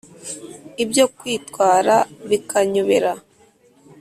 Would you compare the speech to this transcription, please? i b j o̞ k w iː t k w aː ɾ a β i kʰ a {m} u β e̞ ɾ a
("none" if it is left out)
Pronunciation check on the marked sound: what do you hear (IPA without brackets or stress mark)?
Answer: ɲ